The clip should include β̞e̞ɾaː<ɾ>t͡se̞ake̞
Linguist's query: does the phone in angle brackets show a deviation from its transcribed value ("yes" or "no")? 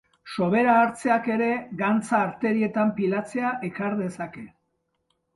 no